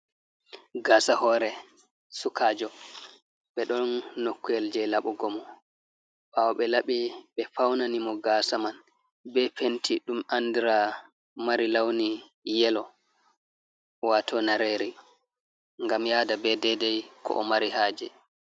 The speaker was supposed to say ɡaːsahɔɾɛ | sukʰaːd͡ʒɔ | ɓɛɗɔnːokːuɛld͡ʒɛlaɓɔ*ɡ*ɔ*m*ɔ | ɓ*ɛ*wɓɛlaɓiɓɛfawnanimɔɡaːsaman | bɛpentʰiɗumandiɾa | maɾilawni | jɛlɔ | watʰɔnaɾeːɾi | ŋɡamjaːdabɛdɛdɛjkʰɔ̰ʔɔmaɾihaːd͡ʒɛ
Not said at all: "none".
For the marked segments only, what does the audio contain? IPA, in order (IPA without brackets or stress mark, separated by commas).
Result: ɡ, m, a